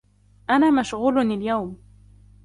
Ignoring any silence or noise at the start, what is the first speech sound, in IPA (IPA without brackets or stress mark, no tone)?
ʔ